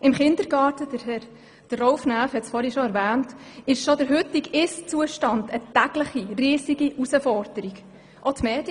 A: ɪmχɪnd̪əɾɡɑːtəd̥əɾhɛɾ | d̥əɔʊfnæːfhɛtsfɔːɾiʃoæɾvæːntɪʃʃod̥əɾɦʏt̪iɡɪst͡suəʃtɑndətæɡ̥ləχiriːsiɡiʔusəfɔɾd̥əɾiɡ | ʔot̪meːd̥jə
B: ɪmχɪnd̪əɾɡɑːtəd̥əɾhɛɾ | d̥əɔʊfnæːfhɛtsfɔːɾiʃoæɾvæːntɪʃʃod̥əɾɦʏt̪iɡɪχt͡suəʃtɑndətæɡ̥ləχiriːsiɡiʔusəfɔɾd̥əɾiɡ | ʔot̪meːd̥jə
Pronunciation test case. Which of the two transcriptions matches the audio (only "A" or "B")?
A